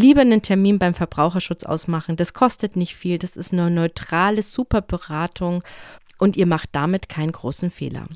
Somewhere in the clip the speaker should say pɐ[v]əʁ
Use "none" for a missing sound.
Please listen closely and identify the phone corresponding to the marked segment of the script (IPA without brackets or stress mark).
b